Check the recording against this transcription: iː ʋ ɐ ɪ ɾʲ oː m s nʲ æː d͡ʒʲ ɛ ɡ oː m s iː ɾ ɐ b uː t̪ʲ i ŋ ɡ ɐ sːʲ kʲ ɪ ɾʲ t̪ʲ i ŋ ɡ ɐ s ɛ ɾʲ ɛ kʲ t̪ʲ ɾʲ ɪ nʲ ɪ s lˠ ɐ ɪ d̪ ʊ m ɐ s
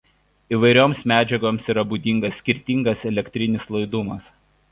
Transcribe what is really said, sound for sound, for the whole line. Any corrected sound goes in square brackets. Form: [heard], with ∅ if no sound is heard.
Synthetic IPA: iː ʋ ɐ ɪ ɾʲ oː m s [mʲ] æː d͡ʒʲ ɛ ɡ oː m s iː ɾ ɐ b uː [d̪ʲ] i ŋ ɡ ɐ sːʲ kʲ ɪ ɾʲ t̪ʲ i ŋ ɡ ɐ s ɛ [lʲ] ɛ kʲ t̪ʲ ɾʲ ɪ nʲ ɪ s lˠ ɐ ɪ d̪ ʊ m ɐ s